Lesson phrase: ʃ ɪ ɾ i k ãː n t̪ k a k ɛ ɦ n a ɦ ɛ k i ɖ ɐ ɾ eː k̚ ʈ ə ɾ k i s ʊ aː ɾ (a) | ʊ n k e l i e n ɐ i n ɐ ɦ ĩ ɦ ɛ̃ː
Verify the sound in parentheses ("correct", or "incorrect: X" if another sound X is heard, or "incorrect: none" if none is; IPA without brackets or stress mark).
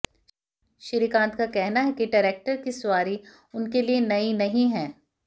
incorrect: i